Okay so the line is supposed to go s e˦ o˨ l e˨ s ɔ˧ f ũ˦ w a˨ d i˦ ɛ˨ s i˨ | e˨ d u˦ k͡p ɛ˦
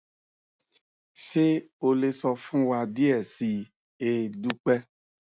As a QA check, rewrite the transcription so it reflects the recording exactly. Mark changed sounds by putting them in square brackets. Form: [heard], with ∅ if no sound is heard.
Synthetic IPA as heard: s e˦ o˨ l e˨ s ɔ˧ f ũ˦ w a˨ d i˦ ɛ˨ s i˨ | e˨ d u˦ k͡p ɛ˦